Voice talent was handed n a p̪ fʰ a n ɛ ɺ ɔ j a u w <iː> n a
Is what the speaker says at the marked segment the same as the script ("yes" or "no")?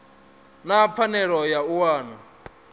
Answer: no